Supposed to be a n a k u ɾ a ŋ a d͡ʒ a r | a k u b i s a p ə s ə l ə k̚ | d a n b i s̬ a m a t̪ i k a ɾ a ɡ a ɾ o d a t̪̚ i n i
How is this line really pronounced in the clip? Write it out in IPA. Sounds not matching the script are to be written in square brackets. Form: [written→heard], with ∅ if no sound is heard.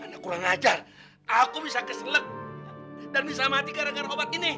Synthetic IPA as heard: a n a k u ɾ a ŋ a d͡ʒ a r | a k u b i s a [p→k] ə s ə l ə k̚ | d a n b i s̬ a m a t̪ i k a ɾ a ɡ a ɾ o [d→b] a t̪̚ i n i